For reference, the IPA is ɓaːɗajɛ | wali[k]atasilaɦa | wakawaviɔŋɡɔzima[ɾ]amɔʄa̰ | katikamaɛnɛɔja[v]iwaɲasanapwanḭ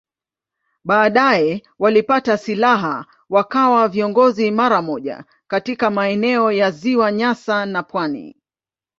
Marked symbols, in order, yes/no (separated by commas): no, yes, no